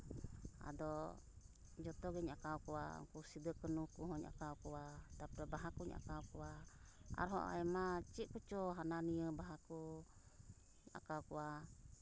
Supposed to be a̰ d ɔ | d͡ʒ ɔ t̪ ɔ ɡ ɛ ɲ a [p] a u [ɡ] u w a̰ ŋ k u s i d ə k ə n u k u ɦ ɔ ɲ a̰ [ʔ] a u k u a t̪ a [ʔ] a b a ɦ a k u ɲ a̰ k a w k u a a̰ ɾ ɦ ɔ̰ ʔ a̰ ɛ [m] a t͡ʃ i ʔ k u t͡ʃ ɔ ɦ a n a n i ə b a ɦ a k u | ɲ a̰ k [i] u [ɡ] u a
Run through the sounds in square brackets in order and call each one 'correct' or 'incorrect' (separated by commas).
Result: incorrect, incorrect, incorrect, incorrect, correct, incorrect, incorrect